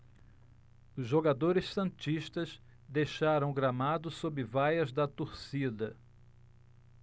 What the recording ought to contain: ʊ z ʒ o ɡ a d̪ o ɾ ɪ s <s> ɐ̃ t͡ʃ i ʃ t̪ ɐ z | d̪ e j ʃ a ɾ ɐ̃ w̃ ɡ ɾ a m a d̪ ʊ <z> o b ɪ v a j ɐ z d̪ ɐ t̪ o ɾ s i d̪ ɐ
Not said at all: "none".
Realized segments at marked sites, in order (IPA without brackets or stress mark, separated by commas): s, s